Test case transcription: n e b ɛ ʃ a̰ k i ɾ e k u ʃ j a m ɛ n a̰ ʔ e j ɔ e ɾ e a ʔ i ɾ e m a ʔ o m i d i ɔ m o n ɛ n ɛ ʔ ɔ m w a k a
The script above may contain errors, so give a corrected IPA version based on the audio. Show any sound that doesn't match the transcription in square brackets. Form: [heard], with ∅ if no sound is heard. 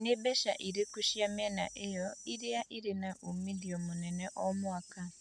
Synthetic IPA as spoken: n e b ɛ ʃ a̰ [ʔ] i ɾ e k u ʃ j a m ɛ n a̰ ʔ e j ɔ [i] ɾ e a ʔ i ɾ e [n] a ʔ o m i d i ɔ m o n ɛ n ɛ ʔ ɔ m w a k a